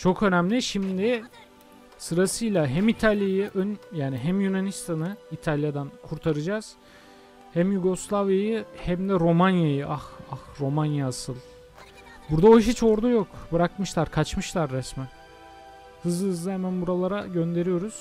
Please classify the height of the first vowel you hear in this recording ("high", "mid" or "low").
mid